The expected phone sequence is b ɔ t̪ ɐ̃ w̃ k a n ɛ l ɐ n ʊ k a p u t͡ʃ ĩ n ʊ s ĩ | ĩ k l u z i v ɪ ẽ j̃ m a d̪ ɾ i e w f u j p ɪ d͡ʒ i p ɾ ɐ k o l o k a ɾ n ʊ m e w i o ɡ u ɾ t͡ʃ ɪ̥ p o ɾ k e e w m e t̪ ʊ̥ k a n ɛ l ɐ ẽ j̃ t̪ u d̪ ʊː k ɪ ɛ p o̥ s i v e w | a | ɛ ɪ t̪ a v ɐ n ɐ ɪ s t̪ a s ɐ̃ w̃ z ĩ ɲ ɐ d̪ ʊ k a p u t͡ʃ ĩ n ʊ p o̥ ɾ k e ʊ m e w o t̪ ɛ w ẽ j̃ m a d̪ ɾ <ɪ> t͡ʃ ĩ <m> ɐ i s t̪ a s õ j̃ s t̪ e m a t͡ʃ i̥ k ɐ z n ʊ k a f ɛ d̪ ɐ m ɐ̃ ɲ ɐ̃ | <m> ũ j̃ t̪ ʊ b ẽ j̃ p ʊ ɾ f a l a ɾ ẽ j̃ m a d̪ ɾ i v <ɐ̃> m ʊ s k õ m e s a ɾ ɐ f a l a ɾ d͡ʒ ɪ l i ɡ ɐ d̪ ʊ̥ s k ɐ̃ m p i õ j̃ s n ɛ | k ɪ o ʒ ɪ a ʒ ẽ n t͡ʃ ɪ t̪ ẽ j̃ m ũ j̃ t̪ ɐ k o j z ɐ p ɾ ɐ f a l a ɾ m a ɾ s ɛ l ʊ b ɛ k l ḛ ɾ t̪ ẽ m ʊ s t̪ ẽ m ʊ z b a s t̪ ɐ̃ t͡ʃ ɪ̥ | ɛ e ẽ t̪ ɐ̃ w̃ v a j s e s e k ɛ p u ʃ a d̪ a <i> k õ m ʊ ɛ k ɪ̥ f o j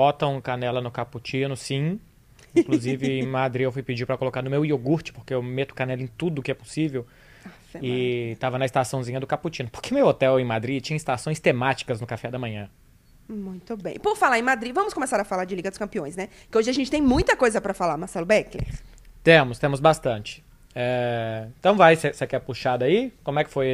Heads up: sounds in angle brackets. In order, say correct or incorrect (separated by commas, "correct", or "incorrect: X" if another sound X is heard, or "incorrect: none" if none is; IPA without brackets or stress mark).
incorrect: i, incorrect: ɲ, correct, correct, correct